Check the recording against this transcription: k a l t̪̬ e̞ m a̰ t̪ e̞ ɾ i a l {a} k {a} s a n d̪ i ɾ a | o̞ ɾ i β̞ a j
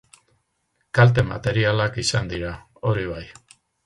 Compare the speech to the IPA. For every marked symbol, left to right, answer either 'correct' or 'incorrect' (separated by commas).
correct, incorrect